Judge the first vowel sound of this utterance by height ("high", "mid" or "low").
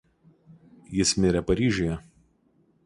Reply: high